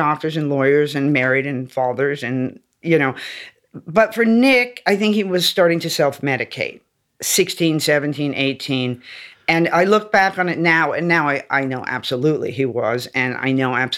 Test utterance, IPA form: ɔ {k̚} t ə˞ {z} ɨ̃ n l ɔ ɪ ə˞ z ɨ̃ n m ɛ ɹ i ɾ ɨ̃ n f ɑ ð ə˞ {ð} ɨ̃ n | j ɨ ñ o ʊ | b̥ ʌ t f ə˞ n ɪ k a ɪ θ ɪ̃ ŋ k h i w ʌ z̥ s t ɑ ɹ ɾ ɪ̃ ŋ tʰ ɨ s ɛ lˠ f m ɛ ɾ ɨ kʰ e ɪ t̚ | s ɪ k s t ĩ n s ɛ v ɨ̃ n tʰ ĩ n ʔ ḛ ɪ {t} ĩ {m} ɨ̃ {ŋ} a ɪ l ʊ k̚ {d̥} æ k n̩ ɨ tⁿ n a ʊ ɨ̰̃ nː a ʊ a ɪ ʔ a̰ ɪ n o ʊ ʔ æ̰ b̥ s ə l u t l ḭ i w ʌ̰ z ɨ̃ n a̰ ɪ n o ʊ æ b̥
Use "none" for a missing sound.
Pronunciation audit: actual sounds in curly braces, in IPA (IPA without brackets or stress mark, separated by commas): k̚, z, z, tʰ, n, n, b̥